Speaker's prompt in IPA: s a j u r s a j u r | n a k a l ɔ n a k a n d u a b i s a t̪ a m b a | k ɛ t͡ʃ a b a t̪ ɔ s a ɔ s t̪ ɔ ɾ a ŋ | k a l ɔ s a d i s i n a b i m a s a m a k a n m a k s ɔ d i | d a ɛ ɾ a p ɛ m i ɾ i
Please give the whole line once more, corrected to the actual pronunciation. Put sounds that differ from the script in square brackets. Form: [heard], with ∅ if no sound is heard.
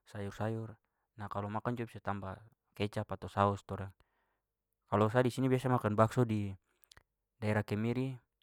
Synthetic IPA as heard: s a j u r s a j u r | n a k a l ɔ [m] a k a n [d͡ʒ] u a b i s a t̪ a m b a | k ɛ t͡ʃ a [p] a t̪ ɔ s a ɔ s t̪ ɔ ɾ a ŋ | k a l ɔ s a d i s i n [i] b i [∅] a s a m a k a n [b] a k s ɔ d i | d a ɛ ɾ a [k] ɛ m i ɾ i